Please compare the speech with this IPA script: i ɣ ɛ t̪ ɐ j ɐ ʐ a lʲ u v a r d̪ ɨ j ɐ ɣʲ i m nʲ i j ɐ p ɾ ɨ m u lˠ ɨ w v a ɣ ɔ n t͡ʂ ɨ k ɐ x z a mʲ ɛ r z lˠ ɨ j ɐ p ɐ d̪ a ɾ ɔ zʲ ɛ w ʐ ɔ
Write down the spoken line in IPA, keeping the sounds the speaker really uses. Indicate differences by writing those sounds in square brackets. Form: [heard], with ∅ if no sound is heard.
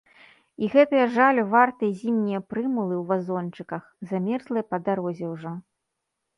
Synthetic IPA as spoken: i ɣ ɛ t̪ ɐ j ɐ ʐ a lʲ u v a r [t̪] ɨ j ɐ [zʲ] i m nʲ i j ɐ p ɾ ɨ m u lˠ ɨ w v a [z] ɔ n t͡ʂ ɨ k ɐ x z a mʲ ɛ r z lˠ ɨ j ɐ p ɐ d̪ a ɾ ɔ zʲ ɛ w ʐ ɔ